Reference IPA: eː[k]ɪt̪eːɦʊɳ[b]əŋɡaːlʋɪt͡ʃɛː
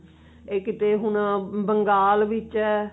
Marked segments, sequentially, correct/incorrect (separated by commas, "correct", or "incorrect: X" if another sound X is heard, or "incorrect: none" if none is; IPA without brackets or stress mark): correct, correct